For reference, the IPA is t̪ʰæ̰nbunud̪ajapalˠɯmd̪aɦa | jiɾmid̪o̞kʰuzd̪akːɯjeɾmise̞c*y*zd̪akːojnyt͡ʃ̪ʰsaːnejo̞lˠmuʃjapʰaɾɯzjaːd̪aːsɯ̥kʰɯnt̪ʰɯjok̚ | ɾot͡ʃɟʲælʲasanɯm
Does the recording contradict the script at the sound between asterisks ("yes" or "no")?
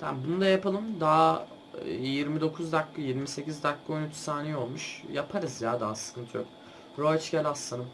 yes